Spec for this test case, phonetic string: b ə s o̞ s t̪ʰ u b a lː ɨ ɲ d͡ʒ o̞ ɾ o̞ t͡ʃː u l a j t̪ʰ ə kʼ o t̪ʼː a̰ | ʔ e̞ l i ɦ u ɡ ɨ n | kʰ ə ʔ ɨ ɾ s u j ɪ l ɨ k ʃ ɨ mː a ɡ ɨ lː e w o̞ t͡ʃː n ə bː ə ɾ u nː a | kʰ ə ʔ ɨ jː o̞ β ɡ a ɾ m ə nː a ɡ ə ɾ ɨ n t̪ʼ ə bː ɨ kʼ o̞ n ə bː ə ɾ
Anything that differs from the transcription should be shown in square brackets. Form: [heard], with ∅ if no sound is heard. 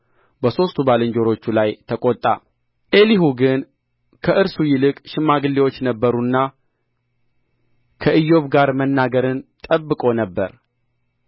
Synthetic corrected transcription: b ə s o̞ s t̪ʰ u b a [l] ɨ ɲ d͡ʒ o̞ ɾ o̞ t͡ʃː u l a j t̪ʰ ə kʼ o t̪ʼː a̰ | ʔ e̞ l i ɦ u ɡ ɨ n | kʰ ə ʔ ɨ ɾ s u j ɪ l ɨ [kʼ] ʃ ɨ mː a ɡ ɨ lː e w o̞ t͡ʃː n ə bː ə ɾ u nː a | kʰ ə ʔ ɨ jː o̞ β ɡ a ɾ m ə nː a ɡ ə ɾ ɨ n t̪ʼ ə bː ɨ kʼ o̞ n ə bː ə ɾ